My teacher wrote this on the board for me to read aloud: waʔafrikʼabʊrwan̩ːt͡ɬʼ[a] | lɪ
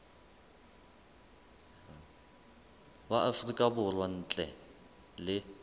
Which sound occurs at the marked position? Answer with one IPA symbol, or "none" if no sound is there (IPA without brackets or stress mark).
ɛ